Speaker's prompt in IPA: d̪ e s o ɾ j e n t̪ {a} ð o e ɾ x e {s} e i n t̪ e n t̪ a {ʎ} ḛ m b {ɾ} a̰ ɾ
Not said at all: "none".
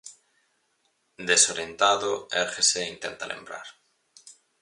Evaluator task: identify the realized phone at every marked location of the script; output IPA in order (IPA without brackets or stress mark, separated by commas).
a, s, l, ɾ